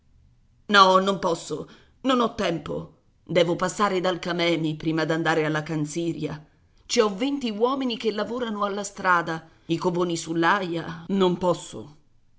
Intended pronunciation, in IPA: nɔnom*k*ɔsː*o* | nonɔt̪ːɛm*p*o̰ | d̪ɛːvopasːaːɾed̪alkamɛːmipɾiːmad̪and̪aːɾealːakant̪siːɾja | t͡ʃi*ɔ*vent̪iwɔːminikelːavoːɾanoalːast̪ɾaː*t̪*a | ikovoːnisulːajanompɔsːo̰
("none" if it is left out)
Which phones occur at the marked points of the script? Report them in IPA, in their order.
p, o, p, ɔ, d̪

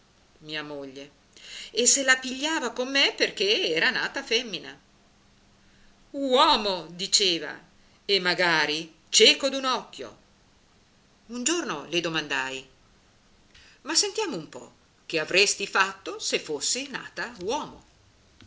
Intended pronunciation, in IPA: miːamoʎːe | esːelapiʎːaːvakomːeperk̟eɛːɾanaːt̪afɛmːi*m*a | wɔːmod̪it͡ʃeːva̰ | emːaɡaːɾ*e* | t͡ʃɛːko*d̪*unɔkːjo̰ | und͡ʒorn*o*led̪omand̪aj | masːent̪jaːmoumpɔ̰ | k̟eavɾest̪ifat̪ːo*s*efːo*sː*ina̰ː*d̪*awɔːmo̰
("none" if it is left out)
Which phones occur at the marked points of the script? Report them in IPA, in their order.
n, i, d̪, o, s, sː, t̪

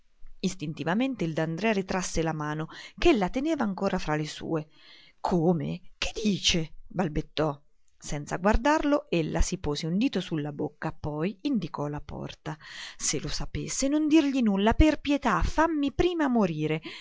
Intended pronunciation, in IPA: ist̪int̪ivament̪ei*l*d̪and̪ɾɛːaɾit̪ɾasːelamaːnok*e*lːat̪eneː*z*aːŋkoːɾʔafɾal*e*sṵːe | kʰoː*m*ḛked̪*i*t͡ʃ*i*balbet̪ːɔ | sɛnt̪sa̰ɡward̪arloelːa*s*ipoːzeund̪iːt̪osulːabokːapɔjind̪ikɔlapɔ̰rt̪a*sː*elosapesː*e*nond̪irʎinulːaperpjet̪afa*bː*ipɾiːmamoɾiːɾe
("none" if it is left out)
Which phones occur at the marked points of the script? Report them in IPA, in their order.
l, e, v, e, m, iː, e, s, s, e, mː

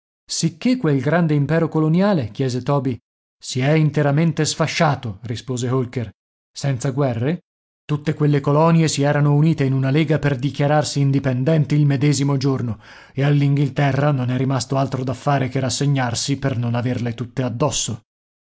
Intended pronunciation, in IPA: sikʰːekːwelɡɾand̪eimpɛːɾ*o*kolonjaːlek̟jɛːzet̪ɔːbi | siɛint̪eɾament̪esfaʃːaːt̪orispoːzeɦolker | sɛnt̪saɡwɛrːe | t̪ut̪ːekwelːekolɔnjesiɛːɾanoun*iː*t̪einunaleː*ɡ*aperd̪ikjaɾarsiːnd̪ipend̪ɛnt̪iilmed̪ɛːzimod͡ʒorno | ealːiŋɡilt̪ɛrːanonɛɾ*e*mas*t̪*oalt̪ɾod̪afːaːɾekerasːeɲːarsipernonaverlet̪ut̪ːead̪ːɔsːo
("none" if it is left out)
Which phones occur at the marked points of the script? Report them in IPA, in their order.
o, iː, ɡ, i, t̪

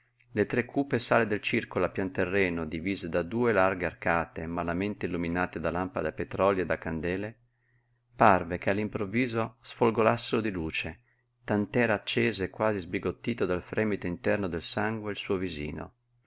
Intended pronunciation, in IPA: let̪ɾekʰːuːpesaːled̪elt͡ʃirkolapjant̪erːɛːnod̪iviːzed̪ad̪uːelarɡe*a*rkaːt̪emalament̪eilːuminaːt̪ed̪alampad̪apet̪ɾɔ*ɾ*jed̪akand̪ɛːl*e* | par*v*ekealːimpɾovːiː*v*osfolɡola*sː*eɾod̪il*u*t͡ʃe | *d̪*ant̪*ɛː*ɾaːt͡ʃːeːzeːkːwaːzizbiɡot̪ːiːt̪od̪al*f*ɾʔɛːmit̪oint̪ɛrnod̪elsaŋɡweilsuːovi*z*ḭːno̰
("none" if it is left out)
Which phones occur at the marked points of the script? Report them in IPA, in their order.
a, l, e, v, z, sː, uː, t̪, ɛː, f, z

